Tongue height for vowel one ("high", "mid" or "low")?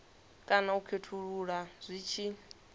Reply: low